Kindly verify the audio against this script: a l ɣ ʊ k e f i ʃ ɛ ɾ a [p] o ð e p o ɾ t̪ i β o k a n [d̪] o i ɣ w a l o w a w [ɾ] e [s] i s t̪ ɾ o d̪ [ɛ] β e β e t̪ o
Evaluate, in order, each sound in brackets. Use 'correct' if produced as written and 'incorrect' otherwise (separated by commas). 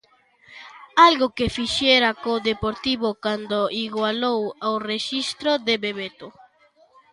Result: incorrect, correct, incorrect, incorrect, incorrect